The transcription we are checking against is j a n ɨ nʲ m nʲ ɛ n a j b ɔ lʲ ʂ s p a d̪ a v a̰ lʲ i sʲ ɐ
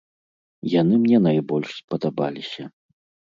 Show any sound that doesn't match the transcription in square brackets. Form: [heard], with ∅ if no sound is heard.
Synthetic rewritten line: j a n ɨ [∅] m nʲ ɛ n a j b ɔ lʲ ʂ s p [ɐ] d̪ a [b] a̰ lʲ i sʲ ɐ